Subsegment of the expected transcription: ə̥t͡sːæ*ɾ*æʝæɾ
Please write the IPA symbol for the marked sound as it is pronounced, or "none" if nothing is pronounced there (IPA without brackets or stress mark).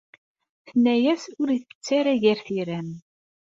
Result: ɾ